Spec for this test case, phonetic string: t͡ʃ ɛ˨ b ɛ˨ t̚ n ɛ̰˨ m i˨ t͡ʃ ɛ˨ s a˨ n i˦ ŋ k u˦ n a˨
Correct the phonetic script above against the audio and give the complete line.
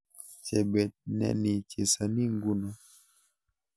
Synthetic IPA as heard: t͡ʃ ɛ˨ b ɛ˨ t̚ n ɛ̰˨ n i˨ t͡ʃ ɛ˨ s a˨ n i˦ ŋ ɡ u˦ n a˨